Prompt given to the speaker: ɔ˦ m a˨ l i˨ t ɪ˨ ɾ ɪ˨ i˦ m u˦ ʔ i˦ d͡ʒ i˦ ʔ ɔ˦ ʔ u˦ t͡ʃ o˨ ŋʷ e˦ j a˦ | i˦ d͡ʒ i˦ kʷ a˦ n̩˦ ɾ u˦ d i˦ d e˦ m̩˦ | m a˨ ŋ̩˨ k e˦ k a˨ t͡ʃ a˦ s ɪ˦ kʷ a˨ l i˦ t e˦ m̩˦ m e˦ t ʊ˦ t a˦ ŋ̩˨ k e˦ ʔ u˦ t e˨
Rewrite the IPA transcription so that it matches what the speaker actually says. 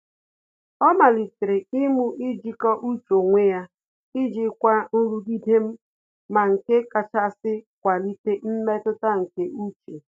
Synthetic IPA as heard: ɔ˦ m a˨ l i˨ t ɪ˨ ɾ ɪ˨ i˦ m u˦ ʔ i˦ d͡ʒ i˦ k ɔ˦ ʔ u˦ t͡ʃ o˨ ŋʷ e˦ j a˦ | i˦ d͡ʒ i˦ kʷ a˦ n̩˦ ɾ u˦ d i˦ d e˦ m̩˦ | m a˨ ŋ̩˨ k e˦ k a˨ t͡ʃ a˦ s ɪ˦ kʷ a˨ l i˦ t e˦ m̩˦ m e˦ t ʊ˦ t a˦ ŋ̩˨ k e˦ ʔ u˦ t͡ʃ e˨

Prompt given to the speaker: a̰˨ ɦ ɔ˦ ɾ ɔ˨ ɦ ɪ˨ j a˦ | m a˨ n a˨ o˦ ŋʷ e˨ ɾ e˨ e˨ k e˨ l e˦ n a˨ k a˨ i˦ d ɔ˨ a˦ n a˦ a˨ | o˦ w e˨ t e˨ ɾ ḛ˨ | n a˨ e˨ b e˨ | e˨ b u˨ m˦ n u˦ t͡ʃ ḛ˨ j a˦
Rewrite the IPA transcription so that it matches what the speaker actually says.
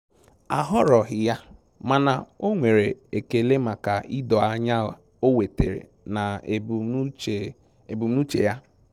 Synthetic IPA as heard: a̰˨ ɦ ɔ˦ ɾ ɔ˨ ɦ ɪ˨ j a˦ | m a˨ n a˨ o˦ ŋʷ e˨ ɾ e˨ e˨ k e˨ l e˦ m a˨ k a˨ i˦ d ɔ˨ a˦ ɲ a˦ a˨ | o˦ w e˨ t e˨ ɾ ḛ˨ | n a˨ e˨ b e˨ | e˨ b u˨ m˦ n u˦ t͡ʃ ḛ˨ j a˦

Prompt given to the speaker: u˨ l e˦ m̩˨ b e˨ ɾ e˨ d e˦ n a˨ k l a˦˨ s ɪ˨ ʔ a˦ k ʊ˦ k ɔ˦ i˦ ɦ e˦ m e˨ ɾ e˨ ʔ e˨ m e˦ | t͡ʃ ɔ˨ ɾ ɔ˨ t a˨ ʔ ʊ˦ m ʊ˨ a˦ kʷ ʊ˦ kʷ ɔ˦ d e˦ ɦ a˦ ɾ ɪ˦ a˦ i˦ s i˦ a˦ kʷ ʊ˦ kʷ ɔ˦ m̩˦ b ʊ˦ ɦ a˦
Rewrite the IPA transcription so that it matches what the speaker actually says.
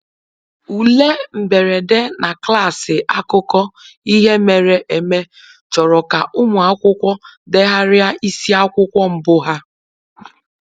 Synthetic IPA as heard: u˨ l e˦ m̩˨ b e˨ ɾ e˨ d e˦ n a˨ k l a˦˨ s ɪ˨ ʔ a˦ k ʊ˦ k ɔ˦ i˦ ɦ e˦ m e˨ ɾ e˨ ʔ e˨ m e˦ | t͡ʃ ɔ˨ ɾ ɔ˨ k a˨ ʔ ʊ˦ m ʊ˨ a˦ kʷ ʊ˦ kʷ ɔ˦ d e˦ ɦ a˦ ɾ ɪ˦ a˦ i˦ s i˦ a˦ kʷ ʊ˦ kʷ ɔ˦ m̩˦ b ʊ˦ ɦ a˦

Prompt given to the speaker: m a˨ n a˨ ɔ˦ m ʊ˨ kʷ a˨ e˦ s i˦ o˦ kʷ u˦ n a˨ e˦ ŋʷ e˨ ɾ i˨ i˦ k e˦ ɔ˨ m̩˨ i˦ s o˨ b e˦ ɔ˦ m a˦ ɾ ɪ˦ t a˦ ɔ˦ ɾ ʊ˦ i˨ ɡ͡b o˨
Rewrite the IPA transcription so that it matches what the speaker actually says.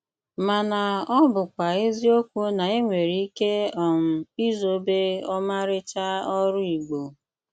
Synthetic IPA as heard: m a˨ n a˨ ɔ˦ b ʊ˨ kʷ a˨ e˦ z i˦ o˦ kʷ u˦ n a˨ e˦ ŋʷ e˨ ɾ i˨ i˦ k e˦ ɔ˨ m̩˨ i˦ z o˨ b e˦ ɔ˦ m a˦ ɾ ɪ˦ t͡ʃ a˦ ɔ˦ ɾ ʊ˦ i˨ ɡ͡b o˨

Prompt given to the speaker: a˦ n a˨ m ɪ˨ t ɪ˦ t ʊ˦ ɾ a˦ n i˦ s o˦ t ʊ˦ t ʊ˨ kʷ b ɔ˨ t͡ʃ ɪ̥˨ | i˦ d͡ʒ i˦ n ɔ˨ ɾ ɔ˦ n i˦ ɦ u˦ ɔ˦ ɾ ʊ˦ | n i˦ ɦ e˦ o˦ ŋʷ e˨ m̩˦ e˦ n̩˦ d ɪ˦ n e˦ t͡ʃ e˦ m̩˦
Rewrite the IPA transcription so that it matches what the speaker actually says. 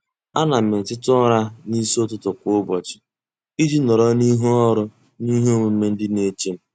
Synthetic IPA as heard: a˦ n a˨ m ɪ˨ t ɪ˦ t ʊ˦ ɾ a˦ n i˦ s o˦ t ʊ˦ t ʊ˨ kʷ b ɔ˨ t͡ʃ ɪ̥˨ | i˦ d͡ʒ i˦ n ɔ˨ ɾ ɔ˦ n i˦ ɦ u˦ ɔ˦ ɾ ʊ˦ | n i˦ ɦ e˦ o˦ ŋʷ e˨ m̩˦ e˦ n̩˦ d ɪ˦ n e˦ t͡ʃ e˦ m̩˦

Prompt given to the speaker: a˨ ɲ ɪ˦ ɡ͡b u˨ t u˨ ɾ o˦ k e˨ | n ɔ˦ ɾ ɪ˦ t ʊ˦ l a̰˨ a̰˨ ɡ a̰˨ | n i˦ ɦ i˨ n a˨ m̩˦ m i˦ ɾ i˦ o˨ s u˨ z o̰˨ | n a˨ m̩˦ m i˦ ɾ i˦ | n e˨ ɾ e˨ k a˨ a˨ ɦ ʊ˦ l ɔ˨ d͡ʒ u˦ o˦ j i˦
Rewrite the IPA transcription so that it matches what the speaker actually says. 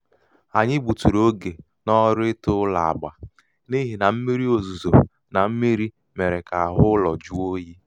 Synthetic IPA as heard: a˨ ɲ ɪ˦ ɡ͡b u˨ t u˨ ɾ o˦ ɡ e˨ | n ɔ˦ ɾ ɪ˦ t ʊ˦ l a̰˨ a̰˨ ɡ͡b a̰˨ | n i˦ ɦ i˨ n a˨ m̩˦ m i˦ ɾ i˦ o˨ z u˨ z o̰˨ | n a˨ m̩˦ m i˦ ɾ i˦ | m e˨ ɾ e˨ k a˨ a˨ ɦ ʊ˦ l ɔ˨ d͡ʒ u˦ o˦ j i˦

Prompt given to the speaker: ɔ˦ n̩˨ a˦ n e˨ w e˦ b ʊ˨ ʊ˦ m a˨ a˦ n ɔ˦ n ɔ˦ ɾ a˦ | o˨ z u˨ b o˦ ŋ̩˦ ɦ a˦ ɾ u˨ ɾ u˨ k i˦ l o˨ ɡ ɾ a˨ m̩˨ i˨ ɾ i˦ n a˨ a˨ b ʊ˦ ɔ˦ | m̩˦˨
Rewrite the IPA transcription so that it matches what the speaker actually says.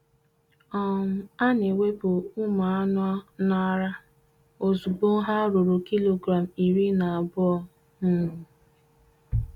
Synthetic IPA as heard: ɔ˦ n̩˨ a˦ n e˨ w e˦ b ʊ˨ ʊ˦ m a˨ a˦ n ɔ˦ n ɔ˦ ɾ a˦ | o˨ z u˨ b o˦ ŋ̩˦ ɦ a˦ ɾ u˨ ɾ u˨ k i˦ l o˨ ɡ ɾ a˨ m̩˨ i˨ ɾ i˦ n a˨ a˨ b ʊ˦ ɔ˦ | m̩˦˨

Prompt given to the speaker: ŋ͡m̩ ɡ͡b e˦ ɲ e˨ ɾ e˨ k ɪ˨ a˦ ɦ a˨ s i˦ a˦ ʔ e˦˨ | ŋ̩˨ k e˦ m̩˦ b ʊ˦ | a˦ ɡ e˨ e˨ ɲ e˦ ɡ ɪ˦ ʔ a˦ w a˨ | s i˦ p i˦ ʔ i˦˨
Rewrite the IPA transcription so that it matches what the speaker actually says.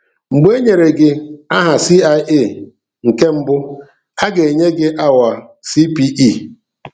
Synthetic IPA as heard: ŋ͡m̩ ɡ͡b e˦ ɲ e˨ ɾ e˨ ɡ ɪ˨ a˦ ɦ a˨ s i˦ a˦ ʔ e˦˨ | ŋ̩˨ k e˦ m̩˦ b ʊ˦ | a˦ ɡ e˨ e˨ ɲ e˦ ɡ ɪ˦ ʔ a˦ w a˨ | s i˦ p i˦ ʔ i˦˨

